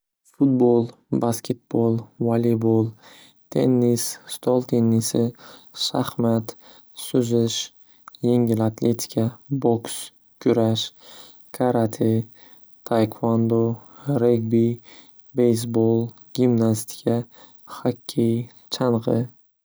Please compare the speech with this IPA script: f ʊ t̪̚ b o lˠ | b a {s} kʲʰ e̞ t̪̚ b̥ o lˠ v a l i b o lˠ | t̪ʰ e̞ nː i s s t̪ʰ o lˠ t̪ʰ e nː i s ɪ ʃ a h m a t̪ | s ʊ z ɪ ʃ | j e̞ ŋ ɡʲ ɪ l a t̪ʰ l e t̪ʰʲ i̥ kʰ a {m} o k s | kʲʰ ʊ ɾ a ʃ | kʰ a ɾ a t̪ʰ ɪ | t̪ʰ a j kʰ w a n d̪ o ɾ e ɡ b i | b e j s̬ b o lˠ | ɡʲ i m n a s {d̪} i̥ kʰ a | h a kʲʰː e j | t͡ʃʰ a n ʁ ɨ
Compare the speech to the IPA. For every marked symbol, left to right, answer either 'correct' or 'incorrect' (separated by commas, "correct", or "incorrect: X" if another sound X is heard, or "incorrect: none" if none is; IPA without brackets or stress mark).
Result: correct, incorrect: b, incorrect: t̪